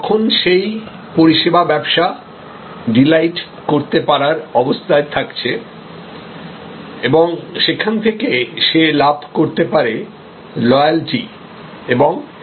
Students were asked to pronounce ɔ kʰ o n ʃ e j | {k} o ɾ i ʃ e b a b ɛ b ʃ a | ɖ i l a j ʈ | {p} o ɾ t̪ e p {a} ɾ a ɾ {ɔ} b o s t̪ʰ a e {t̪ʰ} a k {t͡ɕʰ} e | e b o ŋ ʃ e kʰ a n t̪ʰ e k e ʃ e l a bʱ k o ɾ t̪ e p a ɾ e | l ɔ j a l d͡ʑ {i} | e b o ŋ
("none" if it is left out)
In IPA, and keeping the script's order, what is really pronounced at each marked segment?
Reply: p, k, a, ɔ, t̪ʰ, t͡ɕʰ, i

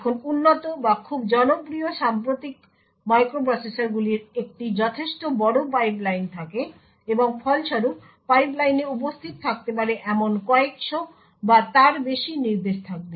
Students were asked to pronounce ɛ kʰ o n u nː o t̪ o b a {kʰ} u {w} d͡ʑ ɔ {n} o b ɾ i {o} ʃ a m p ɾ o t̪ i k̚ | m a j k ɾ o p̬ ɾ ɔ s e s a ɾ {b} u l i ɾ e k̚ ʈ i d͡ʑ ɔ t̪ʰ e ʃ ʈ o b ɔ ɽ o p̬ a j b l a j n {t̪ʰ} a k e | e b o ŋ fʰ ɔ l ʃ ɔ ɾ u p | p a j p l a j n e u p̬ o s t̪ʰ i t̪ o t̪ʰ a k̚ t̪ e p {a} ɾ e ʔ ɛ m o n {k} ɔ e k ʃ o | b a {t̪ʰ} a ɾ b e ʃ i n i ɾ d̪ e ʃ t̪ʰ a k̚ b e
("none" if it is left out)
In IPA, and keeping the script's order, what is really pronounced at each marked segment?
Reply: kʰ, b, n, o, ɡ, t̪ʰ, a, k, t̪

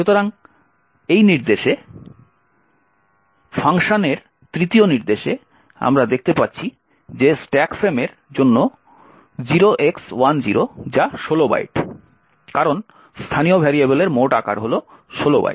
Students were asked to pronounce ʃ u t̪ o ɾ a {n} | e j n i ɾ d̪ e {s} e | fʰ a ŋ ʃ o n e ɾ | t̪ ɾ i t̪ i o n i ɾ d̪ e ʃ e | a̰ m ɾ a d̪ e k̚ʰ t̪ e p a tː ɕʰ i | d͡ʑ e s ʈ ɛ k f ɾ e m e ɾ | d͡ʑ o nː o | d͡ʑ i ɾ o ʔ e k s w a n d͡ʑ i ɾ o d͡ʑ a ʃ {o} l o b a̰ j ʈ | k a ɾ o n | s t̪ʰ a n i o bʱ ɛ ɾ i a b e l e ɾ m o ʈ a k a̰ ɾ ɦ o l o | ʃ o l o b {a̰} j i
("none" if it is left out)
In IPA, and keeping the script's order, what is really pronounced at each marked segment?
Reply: ŋ, ʃ, o, a̰

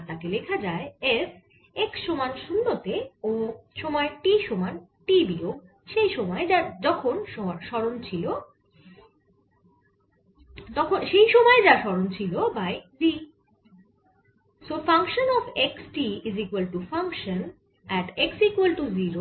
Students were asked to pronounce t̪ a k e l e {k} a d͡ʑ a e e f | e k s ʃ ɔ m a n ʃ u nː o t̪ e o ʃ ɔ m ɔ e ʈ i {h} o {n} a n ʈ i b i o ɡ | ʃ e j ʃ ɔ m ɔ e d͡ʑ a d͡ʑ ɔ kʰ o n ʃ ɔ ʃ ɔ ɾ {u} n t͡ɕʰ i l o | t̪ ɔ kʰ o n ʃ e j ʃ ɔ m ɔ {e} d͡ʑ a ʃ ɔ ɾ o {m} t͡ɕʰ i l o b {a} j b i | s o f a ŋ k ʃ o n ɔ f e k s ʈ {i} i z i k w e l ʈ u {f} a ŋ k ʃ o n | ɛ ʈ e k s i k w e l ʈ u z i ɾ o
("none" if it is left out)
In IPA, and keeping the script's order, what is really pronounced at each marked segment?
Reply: kʰ, ʃ, m, o, e, n, a, i, f

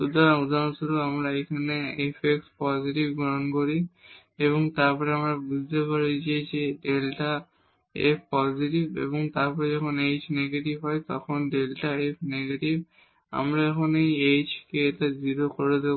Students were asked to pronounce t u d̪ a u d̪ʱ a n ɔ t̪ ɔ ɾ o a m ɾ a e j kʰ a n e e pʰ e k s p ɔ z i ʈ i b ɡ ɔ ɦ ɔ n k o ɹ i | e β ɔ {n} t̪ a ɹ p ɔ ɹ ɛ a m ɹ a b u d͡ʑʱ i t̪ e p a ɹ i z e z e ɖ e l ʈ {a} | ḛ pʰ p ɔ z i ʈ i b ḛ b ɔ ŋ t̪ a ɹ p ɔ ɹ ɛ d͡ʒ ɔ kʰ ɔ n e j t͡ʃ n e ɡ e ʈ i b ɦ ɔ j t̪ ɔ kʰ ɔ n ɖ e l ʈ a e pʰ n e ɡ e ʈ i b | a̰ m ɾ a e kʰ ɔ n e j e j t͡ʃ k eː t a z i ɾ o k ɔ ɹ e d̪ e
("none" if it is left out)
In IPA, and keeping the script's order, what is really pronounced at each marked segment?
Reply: ŋ, a

